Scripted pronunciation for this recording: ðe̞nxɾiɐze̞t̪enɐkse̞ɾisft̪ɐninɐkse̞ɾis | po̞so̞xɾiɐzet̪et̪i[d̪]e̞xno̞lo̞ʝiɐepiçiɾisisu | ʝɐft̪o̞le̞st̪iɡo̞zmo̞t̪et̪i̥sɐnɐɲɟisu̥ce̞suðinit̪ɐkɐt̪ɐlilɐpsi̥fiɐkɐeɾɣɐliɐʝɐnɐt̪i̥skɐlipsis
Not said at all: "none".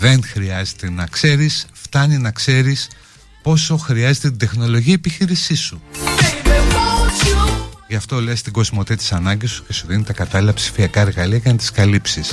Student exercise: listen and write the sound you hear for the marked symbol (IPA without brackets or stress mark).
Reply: d̪